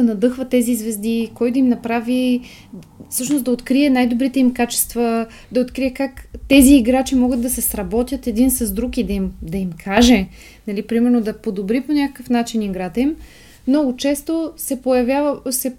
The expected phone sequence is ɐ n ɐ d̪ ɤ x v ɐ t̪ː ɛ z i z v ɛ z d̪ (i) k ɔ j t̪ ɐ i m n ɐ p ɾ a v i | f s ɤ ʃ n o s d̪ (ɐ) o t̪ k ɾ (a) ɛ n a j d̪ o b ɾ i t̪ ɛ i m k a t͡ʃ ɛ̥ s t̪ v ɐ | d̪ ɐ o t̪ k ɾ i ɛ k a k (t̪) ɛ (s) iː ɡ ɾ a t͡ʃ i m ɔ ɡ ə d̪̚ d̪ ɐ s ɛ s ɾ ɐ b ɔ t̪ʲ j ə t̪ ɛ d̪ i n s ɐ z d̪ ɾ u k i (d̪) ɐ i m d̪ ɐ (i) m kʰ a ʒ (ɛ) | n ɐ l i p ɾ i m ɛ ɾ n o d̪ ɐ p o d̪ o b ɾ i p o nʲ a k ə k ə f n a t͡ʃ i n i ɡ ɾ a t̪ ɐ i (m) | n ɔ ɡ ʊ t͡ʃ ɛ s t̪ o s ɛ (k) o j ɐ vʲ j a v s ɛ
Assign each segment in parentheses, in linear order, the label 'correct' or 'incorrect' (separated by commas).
correct, correct, incorrect, correct, incorrect, correct, correct, correct, correct, incorrect